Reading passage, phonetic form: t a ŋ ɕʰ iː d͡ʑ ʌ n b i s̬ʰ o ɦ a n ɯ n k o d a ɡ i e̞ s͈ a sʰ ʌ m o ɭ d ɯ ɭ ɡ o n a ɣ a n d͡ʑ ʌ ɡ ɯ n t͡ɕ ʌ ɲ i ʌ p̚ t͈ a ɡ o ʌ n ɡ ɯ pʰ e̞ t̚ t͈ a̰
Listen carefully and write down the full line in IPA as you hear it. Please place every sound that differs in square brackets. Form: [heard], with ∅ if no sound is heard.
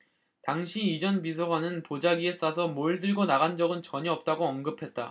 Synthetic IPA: t a ŋ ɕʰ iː d͡ʑ ʌ n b i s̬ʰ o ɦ a n ɯ n [p] o [d͡ʑ] a ɡ i e̞ s͈ a sʰ ʌ m o ɭ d ɯ ɭ ɡ o n a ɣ a n d͡ʑ ʌ ɡ ɯ n t͡ɕ ʌ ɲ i ʌ p̚ t͈ a ɡ o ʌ n ɡ ɯ pʰ e̞ t̚ t͈ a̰